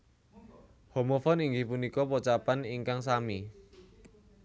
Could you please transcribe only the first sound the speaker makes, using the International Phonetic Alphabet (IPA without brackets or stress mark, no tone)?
h